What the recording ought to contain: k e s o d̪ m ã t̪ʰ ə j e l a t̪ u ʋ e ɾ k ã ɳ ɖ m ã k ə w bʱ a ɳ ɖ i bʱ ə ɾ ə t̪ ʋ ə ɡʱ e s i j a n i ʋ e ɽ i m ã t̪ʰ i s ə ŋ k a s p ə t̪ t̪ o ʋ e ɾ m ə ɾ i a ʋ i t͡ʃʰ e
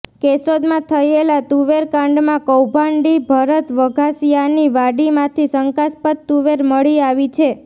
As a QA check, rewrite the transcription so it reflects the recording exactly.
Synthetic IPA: k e s o d̪ m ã t̪ʰ ə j e l a t̪ u ʋ e ɾ k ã ɳ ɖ m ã k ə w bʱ a ɳ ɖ i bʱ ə ɾ ə t̪ ʋ ə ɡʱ a s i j a n i ʋ a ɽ i m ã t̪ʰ i s ə ŋ k a s p ə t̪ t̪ u ʋ e ɾ m ə ɭ i a ʋ i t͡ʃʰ e